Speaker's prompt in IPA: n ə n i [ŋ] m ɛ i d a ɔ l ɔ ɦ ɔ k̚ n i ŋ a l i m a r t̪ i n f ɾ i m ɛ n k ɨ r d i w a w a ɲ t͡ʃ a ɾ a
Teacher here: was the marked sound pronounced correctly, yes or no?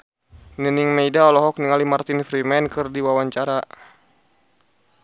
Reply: yes